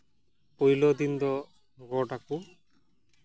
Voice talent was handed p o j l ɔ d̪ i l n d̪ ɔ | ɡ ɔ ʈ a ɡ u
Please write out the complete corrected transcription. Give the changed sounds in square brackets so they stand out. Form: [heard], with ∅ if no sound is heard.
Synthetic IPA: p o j l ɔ d̪ i [∅] n d̪ ɔ | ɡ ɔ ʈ a [k] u